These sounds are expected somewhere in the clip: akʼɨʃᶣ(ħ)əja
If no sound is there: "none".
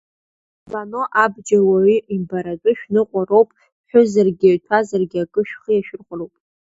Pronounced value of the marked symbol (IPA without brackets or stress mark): χ